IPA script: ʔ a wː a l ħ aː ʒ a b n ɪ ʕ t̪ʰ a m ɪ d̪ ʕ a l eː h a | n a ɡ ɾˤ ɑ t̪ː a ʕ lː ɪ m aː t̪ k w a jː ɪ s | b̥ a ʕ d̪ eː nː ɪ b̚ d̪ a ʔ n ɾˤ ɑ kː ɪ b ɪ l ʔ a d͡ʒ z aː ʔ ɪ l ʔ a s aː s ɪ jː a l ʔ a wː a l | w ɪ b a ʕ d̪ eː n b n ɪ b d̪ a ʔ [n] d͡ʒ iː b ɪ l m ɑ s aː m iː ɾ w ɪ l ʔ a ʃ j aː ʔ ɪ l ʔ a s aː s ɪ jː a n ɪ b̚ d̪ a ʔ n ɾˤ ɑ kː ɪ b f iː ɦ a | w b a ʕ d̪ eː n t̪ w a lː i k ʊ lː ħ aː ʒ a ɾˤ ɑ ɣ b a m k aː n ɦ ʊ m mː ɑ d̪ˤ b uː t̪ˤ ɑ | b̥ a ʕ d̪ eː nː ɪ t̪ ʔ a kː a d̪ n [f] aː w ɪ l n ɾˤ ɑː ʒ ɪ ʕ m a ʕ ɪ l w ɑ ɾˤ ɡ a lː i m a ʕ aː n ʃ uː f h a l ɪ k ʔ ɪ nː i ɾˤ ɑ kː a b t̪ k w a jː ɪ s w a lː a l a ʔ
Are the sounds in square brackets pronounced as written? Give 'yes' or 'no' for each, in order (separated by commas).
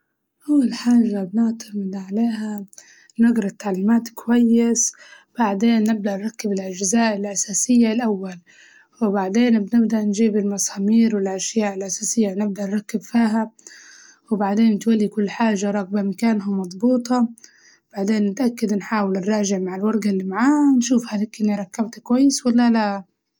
yes, no